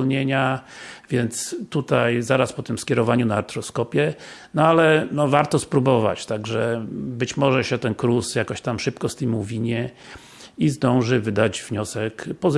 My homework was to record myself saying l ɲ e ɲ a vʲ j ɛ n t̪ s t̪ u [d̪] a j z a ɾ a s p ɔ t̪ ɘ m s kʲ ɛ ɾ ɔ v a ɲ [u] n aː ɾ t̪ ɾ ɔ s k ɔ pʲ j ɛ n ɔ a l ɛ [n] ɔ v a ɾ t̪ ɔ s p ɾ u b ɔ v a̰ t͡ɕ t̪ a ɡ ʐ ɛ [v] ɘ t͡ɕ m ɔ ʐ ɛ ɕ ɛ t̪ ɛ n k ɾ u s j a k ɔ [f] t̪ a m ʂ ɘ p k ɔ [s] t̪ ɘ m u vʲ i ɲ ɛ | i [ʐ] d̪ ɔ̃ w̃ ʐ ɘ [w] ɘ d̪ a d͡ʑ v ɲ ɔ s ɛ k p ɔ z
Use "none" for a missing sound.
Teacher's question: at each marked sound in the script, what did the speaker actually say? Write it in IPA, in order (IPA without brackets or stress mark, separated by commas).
t̪, u, n, b, ɕ, s, z, v